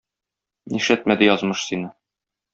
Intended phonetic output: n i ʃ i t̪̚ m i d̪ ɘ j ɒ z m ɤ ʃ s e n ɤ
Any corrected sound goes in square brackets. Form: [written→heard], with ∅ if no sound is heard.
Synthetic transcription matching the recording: n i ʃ [i→æ] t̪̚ m [i→æ] d̪ ɘ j ɒ z m ɤ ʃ s [e→i] n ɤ